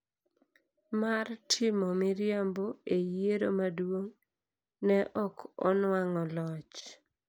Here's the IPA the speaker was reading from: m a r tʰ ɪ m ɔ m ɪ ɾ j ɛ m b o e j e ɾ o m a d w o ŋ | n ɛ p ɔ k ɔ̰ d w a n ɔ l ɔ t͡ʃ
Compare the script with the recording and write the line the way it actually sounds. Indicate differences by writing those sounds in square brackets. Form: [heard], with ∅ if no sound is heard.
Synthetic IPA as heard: m a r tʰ ɪ m ɔ m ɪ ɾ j [a] m b o e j e ɾ o m a d w o ŋ | n ɛ [ʔ] ɔ k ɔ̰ [n] w a [ŋ] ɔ l ɔ t͡ʃ